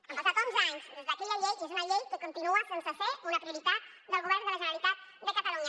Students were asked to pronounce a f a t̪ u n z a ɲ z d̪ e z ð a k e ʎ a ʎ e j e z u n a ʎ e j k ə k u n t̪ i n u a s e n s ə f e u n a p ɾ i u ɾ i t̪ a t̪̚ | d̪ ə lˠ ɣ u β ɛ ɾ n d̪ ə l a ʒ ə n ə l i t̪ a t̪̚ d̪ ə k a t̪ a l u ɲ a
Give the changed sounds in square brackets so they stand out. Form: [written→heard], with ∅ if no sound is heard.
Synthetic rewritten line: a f a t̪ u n z a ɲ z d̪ e z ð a k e ʎ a ʎ e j e z u n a ʎ e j k ə k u n t̪ i n u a s e n s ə f e u n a p ɾ i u ɾ i t̪ a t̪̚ | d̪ ə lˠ ɣ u β ɛ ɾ n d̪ ə l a ʒ ə n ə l i t̪ a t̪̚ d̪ ə k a t̪ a l u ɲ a